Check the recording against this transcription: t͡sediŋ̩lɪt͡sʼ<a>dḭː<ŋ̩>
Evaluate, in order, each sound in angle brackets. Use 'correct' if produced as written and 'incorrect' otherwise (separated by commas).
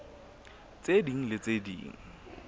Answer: incorrect, correct